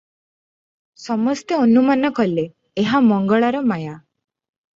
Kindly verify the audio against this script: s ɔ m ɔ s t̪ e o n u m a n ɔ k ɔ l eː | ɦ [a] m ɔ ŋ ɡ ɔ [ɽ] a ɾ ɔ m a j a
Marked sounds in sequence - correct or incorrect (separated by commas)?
correct, incorrect